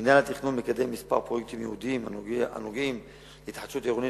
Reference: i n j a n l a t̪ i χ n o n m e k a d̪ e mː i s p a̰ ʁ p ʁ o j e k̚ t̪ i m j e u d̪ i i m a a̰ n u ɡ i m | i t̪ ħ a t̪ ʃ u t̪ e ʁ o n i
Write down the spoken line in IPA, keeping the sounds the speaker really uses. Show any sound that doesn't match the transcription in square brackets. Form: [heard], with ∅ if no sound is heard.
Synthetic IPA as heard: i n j a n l a t̪ i χ n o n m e k a d̪ e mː i s p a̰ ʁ p ʁ o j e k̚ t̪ i m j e u d̪ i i m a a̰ n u ɡ i m | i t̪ ħ a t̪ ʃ u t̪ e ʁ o n i